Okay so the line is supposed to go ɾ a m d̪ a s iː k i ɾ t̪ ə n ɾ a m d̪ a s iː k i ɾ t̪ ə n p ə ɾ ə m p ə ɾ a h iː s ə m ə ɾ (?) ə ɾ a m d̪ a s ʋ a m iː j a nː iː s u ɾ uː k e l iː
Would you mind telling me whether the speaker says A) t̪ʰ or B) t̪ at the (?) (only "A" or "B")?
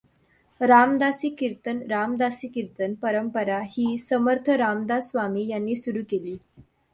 A